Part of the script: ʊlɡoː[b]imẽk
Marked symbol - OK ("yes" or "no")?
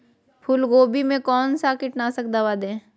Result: yes